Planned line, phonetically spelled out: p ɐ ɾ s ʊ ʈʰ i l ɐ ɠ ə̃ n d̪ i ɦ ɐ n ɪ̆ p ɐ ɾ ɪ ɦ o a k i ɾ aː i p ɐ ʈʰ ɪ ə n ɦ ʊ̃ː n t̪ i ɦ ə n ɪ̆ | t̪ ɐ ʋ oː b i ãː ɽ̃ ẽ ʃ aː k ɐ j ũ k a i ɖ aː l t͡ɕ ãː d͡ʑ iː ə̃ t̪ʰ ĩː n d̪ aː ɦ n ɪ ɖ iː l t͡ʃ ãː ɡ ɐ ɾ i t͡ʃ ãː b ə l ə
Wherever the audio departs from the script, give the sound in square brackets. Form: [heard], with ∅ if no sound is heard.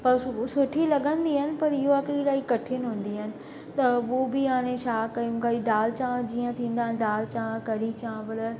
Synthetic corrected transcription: p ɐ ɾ s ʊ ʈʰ i l ɐ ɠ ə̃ n d̪ i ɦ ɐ n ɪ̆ p ɐ ɾ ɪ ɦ o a k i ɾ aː i [k] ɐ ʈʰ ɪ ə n ɦ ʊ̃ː n [d̪] i ɦ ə n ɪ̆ | t̪ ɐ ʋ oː b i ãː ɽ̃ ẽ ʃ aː k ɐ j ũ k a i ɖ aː l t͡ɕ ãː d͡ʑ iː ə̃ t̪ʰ ĩː n d̪ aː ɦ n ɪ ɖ [aː] l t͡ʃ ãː [k] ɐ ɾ i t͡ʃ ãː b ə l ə